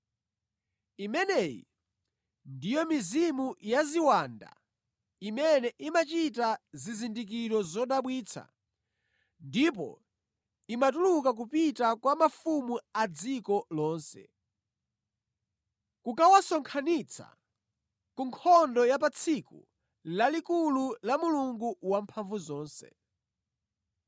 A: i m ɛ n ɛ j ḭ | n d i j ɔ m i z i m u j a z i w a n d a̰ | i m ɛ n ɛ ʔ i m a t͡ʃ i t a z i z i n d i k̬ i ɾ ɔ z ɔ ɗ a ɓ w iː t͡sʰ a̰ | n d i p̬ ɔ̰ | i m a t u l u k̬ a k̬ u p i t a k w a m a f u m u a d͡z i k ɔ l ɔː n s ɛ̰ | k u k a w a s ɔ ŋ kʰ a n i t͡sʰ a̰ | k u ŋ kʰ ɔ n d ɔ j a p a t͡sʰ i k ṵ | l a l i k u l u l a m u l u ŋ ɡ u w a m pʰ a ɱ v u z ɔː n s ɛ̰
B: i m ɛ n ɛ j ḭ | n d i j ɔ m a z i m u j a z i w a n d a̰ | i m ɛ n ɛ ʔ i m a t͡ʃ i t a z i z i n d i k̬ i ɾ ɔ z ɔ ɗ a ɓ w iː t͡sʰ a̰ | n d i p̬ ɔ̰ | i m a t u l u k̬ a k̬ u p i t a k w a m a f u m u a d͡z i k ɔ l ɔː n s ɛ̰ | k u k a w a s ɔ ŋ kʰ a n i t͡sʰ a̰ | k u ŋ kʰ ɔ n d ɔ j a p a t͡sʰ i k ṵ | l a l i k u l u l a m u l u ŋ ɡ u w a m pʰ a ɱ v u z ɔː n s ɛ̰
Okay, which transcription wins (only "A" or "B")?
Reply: A